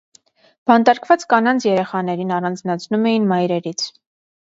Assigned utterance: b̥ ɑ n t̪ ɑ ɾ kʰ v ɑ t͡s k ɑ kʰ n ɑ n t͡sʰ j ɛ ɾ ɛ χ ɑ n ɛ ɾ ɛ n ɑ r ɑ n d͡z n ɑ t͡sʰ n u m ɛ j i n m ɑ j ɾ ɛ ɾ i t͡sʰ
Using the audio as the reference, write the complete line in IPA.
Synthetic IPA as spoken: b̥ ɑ n t̪ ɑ ɾ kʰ v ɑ t͡s k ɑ n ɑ n t͡sʰ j ɛ ɾ ɛ χ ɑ n ɛ ɾ i n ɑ r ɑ n d͡z n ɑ t͡sʰ n u m ɛ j i n m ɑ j ɾ ɛ ɾ i t͡sʰ